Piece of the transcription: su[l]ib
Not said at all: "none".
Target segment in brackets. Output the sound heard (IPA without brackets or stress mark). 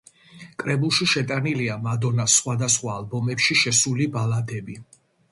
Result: l